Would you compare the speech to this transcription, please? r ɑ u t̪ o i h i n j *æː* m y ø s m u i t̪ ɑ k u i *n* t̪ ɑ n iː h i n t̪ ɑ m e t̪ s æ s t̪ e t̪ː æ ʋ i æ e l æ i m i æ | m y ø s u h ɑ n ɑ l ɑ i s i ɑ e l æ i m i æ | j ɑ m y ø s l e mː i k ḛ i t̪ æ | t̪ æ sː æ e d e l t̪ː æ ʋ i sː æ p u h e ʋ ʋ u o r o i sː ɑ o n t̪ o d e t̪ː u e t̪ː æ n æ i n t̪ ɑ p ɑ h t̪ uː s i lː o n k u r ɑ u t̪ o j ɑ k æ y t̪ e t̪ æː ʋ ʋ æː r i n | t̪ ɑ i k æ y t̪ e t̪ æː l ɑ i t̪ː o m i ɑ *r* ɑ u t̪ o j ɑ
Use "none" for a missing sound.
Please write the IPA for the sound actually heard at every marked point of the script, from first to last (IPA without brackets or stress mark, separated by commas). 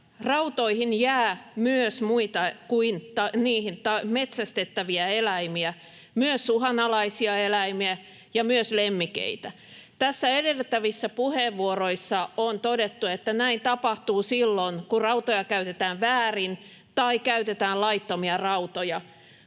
æː, n, r